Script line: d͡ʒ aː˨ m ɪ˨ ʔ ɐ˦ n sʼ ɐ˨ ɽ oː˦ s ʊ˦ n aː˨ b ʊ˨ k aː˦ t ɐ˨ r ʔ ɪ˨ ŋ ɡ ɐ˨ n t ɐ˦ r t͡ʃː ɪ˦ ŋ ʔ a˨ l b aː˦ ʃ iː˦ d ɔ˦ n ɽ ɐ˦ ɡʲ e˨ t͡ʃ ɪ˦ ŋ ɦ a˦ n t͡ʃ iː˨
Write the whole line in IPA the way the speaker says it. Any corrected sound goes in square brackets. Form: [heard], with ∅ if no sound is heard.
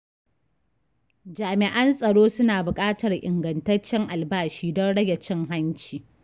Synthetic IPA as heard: d͡ʒ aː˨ m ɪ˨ ʔ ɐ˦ n sʼ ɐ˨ ɽ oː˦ s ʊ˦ n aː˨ b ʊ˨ [kʼ] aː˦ t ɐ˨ r ʔ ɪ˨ ŋ ɡ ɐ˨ n t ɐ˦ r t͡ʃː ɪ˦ ŋ ʔ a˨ l b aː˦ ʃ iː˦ d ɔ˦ n ɽ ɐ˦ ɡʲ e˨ t͡ʃ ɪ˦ ŋ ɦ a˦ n t͡ʃ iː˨